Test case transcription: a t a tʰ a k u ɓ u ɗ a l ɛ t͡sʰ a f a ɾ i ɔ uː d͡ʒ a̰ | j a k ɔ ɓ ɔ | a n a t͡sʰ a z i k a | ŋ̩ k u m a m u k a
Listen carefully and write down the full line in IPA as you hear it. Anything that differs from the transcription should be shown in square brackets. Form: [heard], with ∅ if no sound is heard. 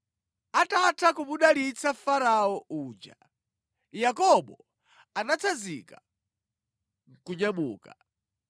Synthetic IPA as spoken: a t a tʰ a k u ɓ u ɗ a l [i] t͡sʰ a f a ɾ [a] ɔ uː d͡ʒ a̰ | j a k ɔ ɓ ɔ | a n a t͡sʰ a z i k a | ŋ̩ k u [ɲ] a m [uː] k a